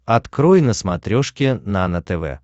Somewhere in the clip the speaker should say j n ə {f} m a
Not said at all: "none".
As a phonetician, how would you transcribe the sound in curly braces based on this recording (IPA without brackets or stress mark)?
s